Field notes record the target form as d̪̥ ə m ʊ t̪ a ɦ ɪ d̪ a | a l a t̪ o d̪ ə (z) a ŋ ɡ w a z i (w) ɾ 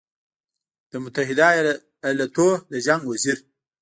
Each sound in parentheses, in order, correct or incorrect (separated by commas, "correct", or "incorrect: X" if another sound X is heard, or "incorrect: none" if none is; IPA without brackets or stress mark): incorrect: ʒ, incorrect: none